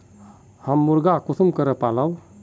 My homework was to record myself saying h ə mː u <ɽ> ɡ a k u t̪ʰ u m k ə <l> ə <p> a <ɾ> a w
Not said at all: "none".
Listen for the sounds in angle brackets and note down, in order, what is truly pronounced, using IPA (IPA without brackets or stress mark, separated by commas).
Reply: ɾ, ɾ, p, l